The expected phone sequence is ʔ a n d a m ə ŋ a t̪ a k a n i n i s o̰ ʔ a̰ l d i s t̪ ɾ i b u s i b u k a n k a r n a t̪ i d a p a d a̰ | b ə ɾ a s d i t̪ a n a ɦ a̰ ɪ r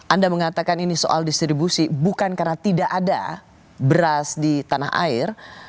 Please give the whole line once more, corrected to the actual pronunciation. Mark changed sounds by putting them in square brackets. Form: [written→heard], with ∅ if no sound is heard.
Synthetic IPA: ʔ a n d a m ə ŋ a t̪ a k a n i n i s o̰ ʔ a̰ l d i s t̪ ɾ i b u s i b u k a n k a r n a t̪ i d a [p→ʔ] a d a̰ | b ə ɾ a s d i t̪ a n a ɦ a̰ ɪ r